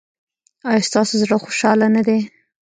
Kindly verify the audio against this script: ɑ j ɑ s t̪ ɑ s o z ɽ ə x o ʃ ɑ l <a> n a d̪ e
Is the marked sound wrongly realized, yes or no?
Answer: no